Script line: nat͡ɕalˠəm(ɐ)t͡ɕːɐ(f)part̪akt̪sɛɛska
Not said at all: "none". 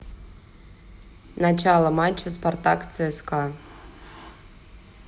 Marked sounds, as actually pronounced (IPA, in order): a, s

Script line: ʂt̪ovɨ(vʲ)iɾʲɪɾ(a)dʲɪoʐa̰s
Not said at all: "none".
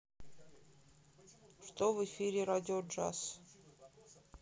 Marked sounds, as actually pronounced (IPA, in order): fʲ, a

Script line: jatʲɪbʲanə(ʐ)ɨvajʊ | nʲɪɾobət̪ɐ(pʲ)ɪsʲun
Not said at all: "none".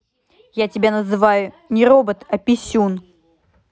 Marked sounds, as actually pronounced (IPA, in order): z, pʲ

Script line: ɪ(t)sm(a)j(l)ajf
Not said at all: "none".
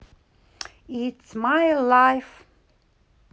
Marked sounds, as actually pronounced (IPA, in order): t, a, l

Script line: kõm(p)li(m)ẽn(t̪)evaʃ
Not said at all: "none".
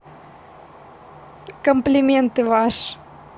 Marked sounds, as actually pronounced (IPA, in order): p, m, t̪

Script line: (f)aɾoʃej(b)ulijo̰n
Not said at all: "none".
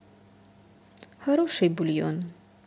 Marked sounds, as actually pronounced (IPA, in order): h, b

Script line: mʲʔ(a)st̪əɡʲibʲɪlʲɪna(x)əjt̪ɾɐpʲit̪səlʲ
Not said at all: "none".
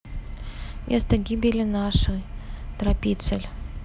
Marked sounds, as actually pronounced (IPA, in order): e, ʂ

